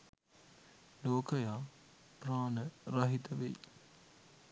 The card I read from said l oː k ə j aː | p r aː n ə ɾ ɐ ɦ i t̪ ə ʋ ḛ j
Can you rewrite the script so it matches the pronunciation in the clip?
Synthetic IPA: l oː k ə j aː | p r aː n ə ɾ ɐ ɦ i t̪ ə ʋ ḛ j